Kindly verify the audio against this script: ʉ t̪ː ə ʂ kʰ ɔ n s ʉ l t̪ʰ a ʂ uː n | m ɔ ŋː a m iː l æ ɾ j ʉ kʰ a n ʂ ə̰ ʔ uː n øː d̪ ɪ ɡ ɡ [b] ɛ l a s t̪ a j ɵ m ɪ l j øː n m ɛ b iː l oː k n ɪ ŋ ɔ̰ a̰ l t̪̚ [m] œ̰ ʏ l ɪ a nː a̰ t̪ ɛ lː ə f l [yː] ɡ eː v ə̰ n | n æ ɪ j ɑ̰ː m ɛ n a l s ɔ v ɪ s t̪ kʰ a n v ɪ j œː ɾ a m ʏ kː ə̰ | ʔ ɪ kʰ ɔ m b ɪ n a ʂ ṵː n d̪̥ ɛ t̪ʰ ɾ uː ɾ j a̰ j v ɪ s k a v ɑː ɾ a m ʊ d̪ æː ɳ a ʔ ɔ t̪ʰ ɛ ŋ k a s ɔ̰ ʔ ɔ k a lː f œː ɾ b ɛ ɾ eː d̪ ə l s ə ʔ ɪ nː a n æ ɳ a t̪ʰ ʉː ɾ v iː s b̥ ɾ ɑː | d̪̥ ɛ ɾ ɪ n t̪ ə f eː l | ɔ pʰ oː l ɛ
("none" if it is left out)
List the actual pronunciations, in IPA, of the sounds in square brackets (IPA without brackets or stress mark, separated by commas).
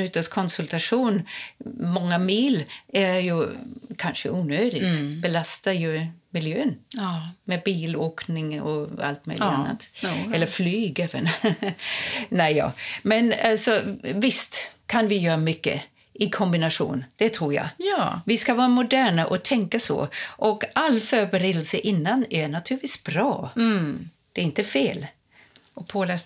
b, m, yː